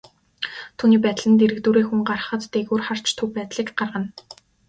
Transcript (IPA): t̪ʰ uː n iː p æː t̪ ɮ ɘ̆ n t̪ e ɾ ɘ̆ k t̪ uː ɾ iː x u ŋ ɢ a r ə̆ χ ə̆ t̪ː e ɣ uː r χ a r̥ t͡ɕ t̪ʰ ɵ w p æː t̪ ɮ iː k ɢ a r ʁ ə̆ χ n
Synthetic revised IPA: t̪ʰ uː n iː p æː t̪ ɮ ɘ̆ n t̪ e ɾ ɘ̆ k t̪ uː ɾ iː x u ŋ ɢ a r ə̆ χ ə̆ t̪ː e ɣ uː r χ a r̥ t͡ɕ t̪ʰ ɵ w p æː t̪ ɮ iː k ɢ a r ʁ ə̆ n